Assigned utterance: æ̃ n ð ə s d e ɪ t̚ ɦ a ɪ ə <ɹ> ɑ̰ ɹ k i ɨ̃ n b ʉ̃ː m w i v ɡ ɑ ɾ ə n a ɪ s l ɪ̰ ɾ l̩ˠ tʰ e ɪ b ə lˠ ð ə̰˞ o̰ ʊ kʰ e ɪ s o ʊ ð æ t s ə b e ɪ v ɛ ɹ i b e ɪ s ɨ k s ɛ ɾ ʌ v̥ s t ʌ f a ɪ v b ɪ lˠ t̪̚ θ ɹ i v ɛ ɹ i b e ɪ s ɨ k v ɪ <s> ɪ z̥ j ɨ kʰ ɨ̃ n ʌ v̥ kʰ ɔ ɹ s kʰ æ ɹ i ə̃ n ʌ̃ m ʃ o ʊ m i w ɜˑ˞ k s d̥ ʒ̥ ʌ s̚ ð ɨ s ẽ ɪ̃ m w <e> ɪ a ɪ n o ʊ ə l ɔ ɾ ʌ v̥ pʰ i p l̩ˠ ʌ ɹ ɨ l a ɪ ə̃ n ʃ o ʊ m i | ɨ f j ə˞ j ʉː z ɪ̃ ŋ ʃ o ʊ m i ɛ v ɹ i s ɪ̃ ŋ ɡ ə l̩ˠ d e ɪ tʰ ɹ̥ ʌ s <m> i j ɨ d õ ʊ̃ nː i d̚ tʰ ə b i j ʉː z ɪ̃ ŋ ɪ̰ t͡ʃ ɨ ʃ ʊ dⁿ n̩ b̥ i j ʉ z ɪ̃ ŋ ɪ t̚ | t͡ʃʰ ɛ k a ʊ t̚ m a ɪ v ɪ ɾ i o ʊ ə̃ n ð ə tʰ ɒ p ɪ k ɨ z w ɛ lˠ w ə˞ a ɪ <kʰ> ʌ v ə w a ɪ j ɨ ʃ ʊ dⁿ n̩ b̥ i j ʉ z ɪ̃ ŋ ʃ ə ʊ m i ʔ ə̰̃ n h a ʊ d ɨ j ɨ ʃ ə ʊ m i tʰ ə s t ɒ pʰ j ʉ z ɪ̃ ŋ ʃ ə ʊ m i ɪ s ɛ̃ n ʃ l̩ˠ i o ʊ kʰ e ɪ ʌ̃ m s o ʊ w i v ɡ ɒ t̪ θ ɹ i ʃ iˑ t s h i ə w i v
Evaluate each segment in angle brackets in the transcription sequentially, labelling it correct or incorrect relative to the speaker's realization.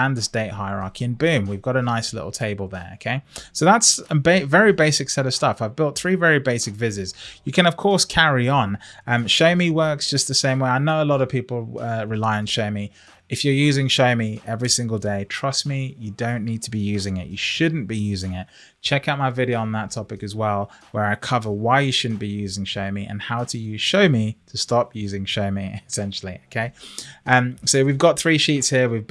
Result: correct, incorrect: z, correct, correct, correct

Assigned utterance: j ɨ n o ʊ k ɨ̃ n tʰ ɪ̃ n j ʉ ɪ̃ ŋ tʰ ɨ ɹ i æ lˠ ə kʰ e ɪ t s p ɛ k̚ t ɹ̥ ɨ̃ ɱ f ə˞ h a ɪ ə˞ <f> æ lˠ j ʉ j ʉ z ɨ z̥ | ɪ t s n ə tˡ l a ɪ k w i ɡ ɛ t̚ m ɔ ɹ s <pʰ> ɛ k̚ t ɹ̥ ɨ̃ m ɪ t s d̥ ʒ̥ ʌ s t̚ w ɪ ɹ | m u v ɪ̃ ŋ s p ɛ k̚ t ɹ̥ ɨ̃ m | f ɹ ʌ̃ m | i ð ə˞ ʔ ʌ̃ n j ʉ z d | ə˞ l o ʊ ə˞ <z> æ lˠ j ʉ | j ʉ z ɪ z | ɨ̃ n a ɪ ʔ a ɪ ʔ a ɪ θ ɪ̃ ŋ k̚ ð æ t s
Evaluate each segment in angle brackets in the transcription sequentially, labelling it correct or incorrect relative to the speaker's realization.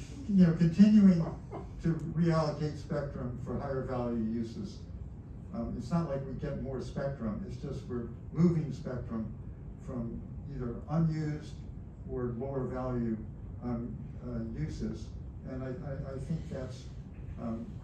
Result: incorrect: v, incorrect: p, incorrect: v

